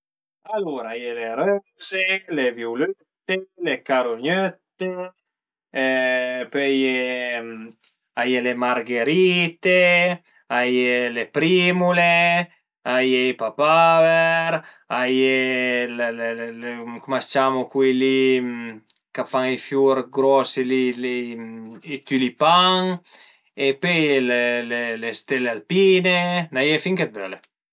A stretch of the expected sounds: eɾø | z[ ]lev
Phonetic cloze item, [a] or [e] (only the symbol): e